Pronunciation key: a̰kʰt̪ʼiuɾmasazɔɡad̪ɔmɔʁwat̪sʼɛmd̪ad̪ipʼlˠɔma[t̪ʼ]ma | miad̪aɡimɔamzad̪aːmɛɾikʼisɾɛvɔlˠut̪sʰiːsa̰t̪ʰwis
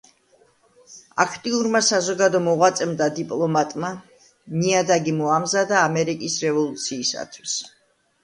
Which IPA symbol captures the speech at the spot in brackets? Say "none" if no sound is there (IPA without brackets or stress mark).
t̪ʼ